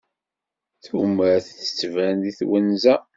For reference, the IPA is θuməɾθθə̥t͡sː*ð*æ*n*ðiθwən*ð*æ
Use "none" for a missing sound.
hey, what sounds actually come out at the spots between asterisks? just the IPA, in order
v, n, z

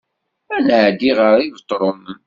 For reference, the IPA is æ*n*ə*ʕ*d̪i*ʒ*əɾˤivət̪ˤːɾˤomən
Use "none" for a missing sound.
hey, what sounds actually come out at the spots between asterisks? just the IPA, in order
n, ʕ, ʁ

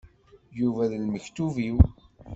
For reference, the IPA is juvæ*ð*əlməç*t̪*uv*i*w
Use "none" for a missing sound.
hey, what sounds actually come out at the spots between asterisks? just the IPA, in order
ð, t̪, i

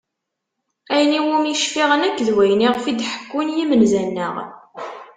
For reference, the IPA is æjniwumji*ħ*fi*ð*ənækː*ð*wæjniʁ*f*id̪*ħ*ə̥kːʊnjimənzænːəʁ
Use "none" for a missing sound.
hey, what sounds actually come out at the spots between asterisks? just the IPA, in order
ʃ, ʁ, ð, f, ħ

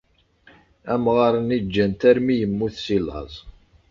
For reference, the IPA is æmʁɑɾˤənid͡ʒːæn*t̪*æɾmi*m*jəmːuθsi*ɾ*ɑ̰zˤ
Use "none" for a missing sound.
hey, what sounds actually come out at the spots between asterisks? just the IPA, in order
t̪, none, l

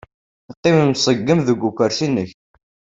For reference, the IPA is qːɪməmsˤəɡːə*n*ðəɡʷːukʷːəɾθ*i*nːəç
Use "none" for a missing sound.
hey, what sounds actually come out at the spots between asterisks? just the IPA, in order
m, i

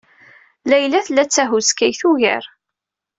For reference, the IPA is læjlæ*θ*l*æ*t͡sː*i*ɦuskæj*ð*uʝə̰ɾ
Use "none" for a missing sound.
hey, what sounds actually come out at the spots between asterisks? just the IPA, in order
θ, æ, æ, θ

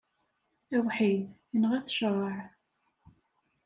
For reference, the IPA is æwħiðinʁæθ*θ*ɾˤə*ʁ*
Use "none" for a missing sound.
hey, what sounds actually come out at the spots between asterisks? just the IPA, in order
ʃ, ʕ

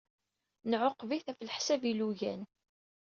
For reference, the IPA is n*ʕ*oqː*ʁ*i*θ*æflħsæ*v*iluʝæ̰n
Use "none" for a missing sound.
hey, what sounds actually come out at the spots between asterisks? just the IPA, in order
ʕ, v, θ, v

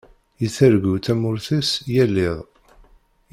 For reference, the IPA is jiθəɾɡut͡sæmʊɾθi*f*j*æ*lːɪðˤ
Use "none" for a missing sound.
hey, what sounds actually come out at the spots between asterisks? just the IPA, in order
s, æ

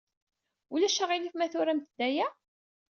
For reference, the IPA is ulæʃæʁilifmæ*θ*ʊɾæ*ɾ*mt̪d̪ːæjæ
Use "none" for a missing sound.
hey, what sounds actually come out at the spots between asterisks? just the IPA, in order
θ, none

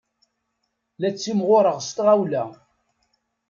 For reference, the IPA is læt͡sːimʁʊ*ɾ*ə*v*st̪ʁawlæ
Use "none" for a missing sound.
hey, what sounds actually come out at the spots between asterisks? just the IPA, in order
ɾ, ʁ

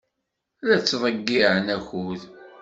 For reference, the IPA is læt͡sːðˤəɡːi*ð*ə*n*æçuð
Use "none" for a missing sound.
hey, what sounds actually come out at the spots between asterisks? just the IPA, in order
ʕ, n

